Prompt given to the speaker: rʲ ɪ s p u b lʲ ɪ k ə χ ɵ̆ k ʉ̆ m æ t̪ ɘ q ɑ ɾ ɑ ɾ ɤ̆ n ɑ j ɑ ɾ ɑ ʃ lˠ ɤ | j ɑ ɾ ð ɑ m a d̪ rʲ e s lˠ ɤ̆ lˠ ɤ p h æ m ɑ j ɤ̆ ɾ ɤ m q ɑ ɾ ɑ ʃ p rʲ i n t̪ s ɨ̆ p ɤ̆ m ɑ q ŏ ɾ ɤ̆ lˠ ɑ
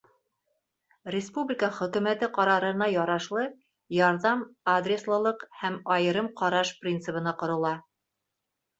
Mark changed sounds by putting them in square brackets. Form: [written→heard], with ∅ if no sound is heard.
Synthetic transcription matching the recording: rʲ ɪ s p u b lʲ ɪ k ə χ ɵ̆ k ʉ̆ m æ t̪ ɘ q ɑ ɾ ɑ ɾ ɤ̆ n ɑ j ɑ ɾ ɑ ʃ lˠ ɤ | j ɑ ɾ ð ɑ m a d̪ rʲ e s lˠ ɤ̆ lˠ ɤ [p→q] h æ m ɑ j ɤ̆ ɾ ɤ m q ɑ ɾ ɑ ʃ p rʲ i n t̪ s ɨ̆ p ɤ̆ [m→n] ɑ q ŏ ɾ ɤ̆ lˠ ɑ

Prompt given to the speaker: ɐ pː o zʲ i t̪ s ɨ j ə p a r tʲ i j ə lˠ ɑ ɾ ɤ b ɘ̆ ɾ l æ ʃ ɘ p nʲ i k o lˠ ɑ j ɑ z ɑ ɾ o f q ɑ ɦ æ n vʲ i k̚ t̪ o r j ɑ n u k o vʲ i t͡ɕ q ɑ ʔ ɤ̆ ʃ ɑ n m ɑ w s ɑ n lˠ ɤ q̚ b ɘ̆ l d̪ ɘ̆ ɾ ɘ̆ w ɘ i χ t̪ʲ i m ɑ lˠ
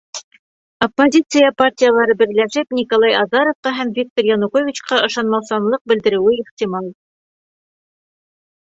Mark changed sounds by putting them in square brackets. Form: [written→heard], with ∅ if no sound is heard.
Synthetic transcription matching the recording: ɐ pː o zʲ i t̪ s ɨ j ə p a r tʲ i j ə lˠ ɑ ɾ ɤ b ɘ̆ ɾ l æ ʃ ɘ p nʲ i k o lˠ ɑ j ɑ z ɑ ɾ o f q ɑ ɦ æ [n→m] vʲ i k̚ t̪ o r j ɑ n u k o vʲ i t͡ɕ q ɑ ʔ ɤ̆ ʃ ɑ n m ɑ w s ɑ n lˠ ɤ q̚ b ɘ̆ l d̪ ɘ̆ ɾ ɘ̆ w ɘ i χ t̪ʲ i m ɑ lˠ

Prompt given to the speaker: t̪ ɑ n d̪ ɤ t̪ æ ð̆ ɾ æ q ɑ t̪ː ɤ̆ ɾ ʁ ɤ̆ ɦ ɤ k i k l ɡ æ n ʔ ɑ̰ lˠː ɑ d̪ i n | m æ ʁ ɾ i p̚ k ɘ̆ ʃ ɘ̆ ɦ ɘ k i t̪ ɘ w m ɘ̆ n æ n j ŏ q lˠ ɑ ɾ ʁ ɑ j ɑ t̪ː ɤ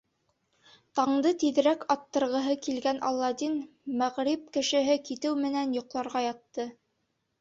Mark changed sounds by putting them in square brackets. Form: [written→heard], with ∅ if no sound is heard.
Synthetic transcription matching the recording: t̪ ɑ [n→ɴ] d̪ ɤ t̪ [æ→i] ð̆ ɾ æ [q→k] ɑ t̪ː ɤ̆ ɾ ʁ ɤ̆ ɦ ɤ k i [k→∅] l ɡ æ n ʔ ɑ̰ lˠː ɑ d̪ i n | m æ ʁ ɾ i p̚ k ɘ̆ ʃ ɘ̆ ɦ ɘ k i t̪ ɘ w m ɘ̆ n æ n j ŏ q lˠ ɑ ɾ ʁ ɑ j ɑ t̪ː ɤ

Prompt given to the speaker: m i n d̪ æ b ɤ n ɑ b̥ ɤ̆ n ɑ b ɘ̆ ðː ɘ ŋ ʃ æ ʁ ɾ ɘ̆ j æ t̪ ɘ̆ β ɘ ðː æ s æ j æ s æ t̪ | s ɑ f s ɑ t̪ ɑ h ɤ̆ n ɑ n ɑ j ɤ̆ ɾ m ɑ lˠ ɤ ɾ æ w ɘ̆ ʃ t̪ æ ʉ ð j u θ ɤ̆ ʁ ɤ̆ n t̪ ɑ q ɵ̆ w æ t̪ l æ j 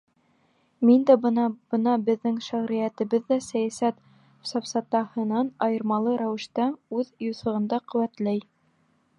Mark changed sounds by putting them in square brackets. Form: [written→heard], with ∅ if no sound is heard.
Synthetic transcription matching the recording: m i n d̪ æ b ɤ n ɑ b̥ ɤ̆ n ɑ b ɘ̆ ðː ɘ ŋ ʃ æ ʁ ɾ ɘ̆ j æ t̪ ɘ̆ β ɘ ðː æ s æ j æ s æ t̪ | s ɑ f s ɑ t̪ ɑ h ɤ̆ n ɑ n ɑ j ɤ̆ ɾ m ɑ lˠ ɤ ɾ æ w ɘ̆ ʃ t̪ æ ʉ ð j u θ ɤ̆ ʁ ɤ̆ n [t̪→d̪] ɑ q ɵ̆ w æ t̪ l æ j

